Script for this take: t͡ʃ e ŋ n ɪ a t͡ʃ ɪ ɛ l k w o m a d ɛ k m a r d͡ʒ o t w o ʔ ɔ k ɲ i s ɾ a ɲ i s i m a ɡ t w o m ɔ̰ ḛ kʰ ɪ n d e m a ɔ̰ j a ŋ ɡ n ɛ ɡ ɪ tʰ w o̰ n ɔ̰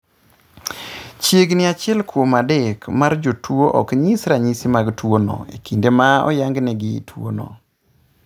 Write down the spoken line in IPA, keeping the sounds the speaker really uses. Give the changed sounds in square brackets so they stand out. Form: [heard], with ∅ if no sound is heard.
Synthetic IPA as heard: t͡ʃ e [ɡ] n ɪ a t͡ʃ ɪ ɛ l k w o m a d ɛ k m a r d͡ʒ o t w o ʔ ɔ k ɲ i s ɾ a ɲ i s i m a ɡ t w o [n] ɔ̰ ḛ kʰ [i] n d e m a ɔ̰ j a ŋ ɡ n ɛ ɡ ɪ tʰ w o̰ n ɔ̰